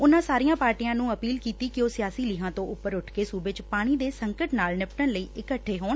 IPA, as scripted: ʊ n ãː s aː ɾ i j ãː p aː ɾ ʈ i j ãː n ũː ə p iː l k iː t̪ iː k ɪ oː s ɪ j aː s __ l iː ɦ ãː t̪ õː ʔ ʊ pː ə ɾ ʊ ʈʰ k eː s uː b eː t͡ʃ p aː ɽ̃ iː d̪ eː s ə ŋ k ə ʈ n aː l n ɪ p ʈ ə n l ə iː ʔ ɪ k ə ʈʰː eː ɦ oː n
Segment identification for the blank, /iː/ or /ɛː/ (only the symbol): iː